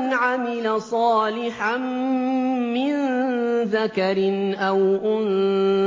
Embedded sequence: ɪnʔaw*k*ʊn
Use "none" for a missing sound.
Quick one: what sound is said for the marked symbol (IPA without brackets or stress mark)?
ʔ